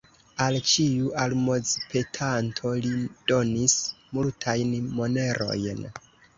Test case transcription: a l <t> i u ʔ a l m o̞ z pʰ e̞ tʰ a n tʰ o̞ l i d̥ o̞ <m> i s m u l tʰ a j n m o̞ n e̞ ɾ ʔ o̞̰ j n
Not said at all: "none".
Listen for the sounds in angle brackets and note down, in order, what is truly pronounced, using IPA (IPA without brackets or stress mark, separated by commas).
t͡ʃ, n